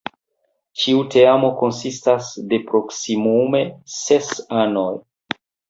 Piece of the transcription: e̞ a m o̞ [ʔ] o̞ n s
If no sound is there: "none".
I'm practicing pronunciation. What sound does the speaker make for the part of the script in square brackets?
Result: k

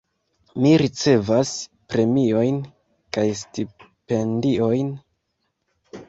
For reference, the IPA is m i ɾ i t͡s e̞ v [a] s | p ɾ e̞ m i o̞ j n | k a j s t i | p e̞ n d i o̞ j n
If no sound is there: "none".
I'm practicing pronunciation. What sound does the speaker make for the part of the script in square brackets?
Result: a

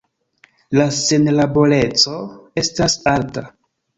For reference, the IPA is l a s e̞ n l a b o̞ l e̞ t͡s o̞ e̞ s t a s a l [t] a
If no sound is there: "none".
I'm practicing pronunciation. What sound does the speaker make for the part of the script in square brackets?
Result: t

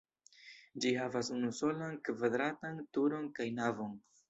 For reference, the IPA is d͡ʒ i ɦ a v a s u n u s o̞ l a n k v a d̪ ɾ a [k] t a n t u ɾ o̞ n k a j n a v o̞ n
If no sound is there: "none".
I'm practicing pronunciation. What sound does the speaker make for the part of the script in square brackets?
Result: none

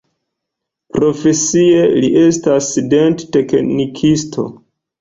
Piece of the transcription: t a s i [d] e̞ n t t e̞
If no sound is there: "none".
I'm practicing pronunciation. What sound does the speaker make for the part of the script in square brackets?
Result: d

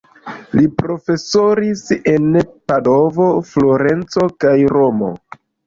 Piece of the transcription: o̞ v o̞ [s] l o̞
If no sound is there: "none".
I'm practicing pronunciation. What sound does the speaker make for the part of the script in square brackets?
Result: f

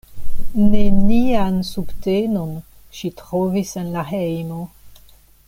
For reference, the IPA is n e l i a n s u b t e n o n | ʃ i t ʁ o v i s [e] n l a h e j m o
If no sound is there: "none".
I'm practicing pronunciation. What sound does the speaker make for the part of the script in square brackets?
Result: e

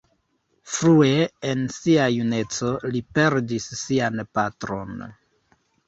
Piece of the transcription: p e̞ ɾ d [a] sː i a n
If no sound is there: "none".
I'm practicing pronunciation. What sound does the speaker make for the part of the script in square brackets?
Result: i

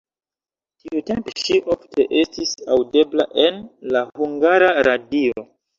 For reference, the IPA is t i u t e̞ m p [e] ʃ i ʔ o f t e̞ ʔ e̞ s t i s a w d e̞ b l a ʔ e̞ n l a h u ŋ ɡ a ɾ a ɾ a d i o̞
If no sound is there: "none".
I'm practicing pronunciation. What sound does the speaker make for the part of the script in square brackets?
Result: e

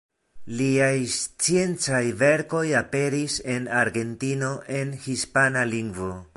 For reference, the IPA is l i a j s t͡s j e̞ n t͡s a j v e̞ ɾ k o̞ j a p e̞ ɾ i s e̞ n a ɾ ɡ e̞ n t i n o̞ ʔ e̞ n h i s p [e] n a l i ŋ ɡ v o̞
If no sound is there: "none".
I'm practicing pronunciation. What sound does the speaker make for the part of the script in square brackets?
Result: a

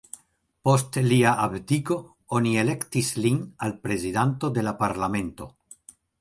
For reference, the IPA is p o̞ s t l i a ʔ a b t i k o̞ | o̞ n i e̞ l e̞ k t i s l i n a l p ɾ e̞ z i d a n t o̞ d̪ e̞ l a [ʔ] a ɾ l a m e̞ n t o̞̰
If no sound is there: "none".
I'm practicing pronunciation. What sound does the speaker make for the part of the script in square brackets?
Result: p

